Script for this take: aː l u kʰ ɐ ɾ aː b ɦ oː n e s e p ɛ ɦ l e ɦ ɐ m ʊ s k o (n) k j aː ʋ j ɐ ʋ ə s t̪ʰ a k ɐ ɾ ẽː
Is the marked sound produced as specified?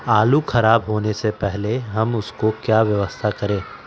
no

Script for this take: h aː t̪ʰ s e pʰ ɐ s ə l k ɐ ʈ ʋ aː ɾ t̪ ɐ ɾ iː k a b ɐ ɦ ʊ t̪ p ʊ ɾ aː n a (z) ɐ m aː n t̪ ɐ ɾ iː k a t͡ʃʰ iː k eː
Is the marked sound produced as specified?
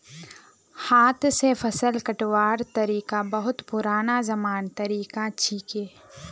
yes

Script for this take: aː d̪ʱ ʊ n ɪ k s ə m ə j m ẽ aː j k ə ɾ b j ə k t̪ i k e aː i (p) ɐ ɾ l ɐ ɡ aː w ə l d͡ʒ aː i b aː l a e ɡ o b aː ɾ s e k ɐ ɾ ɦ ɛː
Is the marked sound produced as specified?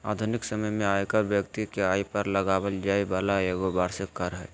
yes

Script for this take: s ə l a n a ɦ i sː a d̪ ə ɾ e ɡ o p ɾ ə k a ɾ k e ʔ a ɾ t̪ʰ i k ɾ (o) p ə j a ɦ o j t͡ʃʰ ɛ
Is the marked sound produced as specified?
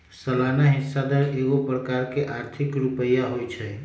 no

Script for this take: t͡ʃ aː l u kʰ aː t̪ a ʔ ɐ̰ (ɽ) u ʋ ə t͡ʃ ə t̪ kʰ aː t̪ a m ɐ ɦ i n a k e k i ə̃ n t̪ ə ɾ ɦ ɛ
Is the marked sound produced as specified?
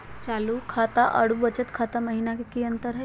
yes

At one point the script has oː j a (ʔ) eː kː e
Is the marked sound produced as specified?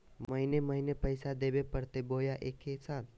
yes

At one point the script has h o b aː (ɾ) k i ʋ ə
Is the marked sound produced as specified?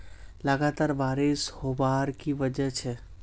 yes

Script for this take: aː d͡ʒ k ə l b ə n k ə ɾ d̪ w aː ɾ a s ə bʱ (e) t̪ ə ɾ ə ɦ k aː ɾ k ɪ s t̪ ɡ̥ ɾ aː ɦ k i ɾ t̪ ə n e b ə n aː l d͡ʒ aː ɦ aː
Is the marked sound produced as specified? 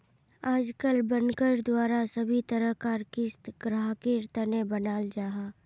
no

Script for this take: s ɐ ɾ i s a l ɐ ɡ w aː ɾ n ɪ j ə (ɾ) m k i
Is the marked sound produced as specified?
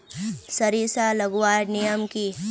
no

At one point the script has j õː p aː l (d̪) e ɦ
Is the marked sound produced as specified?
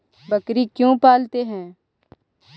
no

